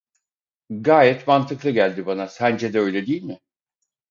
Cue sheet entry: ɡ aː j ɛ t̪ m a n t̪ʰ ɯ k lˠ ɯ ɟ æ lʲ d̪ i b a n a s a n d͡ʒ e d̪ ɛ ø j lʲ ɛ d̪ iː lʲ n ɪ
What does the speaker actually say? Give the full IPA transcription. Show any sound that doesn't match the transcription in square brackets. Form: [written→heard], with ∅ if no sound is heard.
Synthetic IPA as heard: ɡ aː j ɛ t̪ m a n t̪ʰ ɯ k lˠ ɯ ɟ æ lʲ d̪ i b a n a s [a→æ] n d͡ʒ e d̪ ɛ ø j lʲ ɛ d̪ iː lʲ [n→m] ɪ